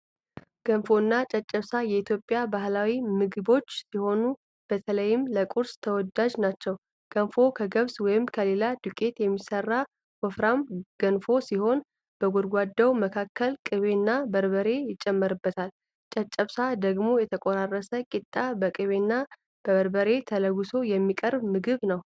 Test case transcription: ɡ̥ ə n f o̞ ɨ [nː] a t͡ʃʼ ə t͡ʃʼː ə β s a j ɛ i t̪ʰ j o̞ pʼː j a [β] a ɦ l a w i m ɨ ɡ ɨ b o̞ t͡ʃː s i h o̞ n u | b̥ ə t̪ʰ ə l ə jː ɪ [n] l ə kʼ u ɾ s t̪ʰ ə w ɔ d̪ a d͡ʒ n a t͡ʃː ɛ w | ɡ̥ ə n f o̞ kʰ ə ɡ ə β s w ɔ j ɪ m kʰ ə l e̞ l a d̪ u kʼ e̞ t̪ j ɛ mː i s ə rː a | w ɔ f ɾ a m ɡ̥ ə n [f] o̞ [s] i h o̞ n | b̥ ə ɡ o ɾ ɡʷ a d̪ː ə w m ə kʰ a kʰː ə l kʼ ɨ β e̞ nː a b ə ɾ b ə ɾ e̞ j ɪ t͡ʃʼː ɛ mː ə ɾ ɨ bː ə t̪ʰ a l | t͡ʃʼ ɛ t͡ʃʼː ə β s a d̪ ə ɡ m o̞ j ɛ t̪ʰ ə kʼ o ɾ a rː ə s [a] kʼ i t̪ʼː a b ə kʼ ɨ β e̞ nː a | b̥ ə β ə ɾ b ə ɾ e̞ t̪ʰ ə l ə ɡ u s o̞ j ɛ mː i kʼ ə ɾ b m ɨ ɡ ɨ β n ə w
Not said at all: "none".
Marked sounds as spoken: nː, b, m, f, s, ə

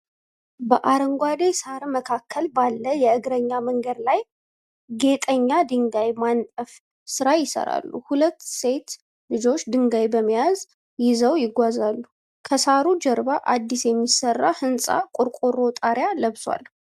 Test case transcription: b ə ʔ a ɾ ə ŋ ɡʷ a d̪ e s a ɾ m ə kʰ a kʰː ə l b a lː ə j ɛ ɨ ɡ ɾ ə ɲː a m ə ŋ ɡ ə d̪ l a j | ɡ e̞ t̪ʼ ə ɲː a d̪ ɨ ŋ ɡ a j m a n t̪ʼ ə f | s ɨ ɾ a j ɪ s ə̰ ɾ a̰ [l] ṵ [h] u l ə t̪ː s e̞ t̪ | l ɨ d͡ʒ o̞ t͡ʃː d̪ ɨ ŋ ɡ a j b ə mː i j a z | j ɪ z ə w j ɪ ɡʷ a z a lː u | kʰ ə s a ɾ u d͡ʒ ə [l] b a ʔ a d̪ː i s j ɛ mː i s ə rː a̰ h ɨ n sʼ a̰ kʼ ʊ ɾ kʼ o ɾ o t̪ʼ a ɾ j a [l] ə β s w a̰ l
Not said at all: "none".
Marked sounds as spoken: lː, h, ɾ, l

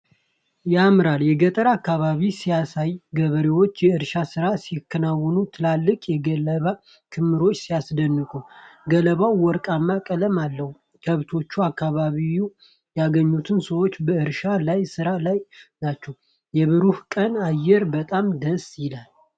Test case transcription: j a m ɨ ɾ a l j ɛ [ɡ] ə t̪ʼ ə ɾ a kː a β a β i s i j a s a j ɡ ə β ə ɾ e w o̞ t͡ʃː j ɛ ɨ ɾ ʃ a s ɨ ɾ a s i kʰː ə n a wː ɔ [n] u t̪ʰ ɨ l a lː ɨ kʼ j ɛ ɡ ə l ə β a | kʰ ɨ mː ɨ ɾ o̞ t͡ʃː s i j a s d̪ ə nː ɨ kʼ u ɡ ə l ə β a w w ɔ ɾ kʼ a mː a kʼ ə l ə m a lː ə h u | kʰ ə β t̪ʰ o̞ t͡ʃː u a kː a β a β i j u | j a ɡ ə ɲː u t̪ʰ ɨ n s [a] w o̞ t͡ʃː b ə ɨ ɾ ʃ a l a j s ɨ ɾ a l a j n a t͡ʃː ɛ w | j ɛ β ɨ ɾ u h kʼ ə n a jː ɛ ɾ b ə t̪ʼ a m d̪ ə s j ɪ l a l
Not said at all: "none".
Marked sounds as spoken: ɡ, n, ə

